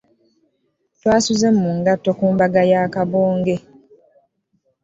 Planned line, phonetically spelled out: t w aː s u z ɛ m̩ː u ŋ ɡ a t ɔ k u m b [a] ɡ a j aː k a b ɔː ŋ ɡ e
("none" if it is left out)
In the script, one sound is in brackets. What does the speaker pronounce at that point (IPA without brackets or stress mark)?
a